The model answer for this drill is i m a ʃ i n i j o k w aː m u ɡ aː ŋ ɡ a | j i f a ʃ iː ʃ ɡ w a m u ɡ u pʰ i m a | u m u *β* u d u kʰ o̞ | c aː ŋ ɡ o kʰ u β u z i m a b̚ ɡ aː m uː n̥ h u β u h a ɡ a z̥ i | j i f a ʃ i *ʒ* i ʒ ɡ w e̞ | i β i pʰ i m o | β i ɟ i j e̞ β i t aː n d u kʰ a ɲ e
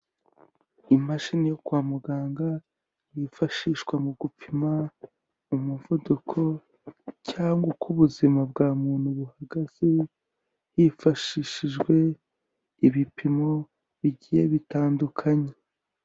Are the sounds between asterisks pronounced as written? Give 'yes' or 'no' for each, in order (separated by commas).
no, no